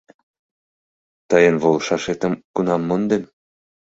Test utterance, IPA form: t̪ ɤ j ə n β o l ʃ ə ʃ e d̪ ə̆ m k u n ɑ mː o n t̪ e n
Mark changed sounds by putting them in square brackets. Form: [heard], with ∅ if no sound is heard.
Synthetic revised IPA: t̪ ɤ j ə n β o l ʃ [ɑ] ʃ e [t̪] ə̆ m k u n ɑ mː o n [d̪] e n